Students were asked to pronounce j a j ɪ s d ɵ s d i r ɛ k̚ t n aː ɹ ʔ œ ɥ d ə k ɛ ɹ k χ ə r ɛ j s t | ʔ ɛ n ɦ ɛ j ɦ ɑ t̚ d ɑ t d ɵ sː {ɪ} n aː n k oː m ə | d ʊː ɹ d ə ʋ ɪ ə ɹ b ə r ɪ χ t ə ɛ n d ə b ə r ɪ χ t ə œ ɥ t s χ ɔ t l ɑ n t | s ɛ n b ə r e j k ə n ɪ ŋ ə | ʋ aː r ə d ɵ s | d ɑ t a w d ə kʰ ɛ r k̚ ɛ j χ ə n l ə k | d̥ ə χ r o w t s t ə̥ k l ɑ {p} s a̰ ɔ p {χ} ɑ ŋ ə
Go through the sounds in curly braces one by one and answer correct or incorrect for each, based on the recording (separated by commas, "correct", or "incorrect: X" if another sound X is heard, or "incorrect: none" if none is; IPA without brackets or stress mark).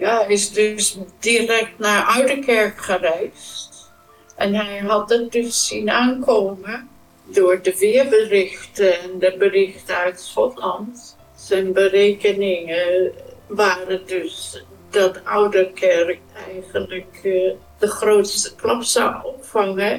incorrect: i, correct, incorrect: f